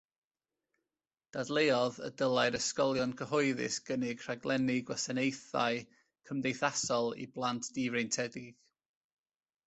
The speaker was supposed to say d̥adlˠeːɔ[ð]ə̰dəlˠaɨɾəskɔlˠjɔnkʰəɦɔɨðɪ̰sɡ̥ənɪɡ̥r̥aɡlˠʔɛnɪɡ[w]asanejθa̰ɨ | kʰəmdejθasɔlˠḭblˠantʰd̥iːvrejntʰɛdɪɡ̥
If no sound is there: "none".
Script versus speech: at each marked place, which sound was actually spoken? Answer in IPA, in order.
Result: ð, w

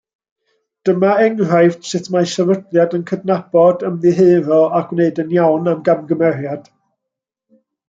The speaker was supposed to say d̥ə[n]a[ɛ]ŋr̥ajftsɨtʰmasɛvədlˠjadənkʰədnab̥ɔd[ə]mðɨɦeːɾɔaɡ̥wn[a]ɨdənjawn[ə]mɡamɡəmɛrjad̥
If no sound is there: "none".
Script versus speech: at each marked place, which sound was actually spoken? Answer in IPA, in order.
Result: m, ɛ, ə, e, a

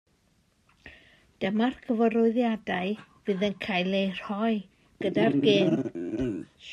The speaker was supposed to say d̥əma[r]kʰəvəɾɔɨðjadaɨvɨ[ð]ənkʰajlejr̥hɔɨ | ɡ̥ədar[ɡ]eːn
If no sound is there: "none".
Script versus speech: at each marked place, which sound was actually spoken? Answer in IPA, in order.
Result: r, ð, ɡ

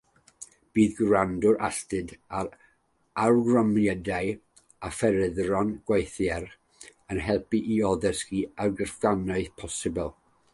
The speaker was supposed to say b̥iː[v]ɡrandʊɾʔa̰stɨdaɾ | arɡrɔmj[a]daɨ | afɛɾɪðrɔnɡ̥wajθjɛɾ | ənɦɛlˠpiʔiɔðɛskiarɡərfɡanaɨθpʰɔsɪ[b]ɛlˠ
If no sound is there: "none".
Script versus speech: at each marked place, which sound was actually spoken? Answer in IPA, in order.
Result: ð, ɛ, b

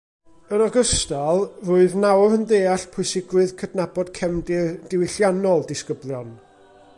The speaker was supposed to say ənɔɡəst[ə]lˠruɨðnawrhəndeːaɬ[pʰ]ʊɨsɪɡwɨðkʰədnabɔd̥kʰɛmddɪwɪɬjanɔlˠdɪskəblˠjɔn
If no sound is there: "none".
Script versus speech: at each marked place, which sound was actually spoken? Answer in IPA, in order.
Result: a, pʰ

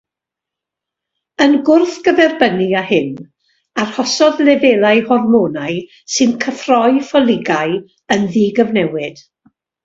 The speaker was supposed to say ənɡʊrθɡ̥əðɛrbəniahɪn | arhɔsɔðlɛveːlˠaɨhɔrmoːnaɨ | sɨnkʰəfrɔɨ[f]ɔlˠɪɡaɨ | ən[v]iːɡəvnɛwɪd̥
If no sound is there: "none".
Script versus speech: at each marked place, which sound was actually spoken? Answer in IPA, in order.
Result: f, ð

